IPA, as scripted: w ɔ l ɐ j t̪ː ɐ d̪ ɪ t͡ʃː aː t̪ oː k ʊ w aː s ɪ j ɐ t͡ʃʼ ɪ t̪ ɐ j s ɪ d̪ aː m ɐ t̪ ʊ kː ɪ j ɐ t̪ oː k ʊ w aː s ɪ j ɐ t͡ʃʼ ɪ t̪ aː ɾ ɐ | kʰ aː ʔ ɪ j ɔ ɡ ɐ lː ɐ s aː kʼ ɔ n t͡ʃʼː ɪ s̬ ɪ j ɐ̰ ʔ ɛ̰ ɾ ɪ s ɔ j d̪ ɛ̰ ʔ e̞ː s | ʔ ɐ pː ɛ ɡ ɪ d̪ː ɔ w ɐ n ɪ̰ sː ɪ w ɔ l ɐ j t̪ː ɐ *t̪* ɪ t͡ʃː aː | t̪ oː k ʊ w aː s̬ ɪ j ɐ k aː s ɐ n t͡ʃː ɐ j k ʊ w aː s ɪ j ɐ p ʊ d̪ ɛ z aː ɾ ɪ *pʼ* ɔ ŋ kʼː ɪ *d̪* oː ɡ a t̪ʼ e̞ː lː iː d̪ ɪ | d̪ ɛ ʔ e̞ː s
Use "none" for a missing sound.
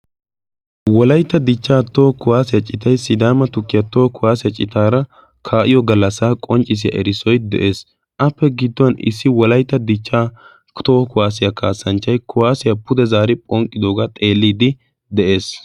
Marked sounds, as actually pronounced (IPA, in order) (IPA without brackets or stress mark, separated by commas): d̪, pʼ, d̪